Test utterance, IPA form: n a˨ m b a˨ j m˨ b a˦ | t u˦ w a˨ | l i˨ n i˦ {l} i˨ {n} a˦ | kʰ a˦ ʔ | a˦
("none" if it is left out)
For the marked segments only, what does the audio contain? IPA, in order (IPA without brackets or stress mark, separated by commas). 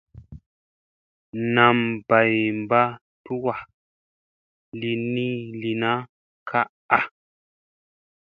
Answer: l, n